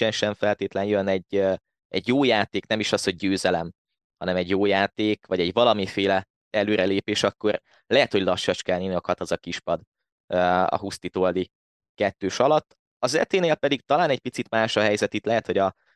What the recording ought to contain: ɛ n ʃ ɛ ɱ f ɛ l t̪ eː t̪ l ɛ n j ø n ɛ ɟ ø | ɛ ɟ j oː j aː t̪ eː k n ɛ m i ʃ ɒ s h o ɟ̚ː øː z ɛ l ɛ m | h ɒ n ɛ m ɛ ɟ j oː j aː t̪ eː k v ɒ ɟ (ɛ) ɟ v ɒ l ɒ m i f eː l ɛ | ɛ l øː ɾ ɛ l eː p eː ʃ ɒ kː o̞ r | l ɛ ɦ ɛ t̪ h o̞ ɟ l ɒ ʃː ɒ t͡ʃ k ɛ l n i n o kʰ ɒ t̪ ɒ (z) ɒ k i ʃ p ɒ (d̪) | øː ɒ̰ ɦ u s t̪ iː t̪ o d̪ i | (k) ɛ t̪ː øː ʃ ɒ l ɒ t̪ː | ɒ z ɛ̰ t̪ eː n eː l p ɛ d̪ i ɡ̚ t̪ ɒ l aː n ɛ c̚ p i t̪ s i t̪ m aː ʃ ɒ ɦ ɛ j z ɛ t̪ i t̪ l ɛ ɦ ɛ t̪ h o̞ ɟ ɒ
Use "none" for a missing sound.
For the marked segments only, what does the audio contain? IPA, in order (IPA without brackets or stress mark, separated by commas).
ɛ, z, d̪, k